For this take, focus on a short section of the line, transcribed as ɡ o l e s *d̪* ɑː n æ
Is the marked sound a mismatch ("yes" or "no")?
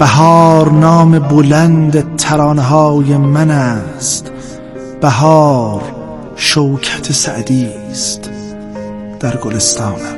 yes